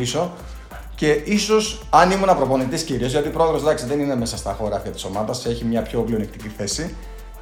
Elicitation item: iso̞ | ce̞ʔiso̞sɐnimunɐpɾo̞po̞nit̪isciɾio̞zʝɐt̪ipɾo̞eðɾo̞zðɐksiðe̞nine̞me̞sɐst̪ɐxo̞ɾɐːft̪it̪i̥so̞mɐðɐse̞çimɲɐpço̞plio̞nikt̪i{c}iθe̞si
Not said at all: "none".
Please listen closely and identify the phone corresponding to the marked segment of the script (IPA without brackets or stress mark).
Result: c